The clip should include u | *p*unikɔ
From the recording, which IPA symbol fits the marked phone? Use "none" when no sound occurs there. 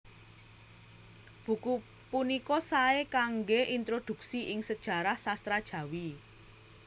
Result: p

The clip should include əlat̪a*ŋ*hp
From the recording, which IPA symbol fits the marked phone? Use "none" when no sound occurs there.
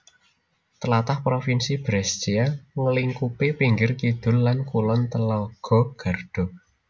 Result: none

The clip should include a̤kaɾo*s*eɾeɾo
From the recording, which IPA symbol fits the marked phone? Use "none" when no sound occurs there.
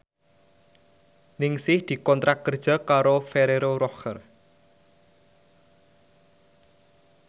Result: f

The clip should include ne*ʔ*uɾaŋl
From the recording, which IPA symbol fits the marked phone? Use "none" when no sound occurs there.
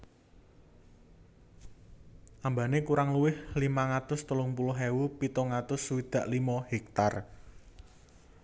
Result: k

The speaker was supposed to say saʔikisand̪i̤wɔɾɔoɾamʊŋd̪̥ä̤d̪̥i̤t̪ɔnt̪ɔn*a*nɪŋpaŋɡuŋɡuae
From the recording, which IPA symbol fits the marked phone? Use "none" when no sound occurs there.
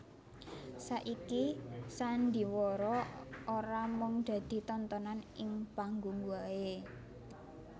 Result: a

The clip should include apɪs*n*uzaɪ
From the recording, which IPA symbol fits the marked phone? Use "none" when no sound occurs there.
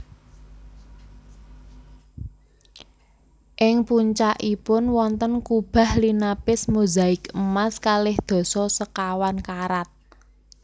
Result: m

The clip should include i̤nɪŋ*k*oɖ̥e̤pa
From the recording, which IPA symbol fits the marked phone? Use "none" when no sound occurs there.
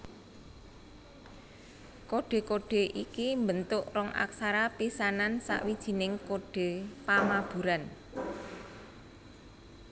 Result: k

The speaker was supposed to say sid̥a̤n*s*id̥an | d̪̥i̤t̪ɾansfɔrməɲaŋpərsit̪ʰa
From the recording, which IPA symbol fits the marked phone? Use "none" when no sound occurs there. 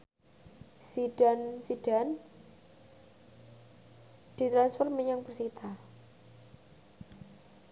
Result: s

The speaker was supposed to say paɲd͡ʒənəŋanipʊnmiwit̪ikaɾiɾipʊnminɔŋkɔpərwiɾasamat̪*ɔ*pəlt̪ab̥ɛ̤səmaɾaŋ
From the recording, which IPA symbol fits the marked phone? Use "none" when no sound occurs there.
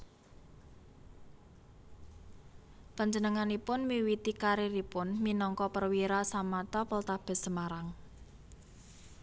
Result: ɔ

